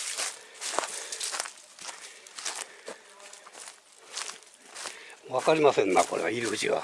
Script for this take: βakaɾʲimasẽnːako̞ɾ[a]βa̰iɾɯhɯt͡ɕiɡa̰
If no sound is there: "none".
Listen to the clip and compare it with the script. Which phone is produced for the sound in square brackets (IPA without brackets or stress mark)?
e